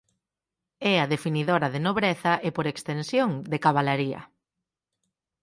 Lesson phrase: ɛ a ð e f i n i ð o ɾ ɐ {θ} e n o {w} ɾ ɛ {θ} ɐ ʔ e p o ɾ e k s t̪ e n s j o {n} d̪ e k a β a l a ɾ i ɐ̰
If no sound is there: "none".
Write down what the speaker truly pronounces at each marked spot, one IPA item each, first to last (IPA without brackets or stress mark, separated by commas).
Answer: ð, β, θ, ŋ